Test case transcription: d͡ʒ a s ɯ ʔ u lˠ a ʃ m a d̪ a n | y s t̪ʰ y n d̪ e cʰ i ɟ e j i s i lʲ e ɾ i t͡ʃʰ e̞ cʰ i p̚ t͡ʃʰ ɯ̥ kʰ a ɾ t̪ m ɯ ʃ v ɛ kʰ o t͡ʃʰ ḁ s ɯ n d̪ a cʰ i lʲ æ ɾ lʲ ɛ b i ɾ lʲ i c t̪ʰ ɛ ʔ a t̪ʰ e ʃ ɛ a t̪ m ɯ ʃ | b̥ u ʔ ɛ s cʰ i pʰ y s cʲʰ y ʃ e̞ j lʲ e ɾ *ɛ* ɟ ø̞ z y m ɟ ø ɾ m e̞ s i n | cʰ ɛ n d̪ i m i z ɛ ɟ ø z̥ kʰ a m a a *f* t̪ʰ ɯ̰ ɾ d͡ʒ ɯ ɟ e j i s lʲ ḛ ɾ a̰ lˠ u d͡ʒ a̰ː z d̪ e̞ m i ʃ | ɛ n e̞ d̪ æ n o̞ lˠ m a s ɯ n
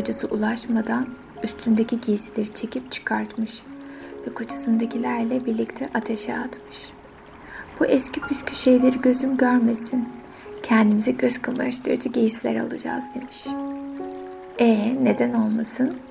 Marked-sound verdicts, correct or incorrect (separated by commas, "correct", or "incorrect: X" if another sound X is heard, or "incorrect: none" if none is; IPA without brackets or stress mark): incorrect: i, incorrect: ʃ